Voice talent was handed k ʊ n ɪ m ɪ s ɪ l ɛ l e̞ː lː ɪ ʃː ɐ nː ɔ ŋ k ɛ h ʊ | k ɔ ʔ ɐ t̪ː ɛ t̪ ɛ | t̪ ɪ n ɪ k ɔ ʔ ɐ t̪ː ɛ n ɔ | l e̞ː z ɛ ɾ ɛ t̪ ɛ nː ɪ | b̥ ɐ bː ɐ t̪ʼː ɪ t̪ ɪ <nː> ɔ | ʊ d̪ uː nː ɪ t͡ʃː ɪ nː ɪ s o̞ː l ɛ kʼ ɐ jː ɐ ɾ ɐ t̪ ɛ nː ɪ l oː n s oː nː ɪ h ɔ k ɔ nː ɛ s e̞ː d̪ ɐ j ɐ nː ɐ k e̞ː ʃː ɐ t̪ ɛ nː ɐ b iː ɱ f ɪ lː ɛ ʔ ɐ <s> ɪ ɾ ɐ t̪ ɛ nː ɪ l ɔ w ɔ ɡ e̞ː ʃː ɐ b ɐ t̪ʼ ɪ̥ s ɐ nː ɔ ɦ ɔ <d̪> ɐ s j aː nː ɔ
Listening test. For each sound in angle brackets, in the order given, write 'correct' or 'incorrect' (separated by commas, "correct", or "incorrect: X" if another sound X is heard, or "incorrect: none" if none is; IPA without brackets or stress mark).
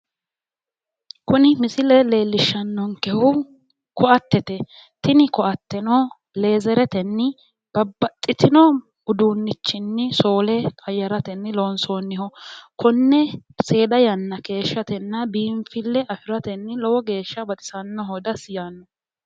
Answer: incorrect: n, incorrect: f, correct